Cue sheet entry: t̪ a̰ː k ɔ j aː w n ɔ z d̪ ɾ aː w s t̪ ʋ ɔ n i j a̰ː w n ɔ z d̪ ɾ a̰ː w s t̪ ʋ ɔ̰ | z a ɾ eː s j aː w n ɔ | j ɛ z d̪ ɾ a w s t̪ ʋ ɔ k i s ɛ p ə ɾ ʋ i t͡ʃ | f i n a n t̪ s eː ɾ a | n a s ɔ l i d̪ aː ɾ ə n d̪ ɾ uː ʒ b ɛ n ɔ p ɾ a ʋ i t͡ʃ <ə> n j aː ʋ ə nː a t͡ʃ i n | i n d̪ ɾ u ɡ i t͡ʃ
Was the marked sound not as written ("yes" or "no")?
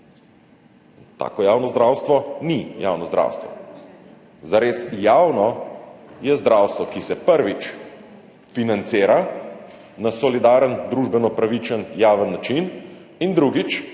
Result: no